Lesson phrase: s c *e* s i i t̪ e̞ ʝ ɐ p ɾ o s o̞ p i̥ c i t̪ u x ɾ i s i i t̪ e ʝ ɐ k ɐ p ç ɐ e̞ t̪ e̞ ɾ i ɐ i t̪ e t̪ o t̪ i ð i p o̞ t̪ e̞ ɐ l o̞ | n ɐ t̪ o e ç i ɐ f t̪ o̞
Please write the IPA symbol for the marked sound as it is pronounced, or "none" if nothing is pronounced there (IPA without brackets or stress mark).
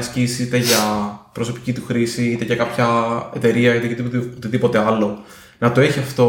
i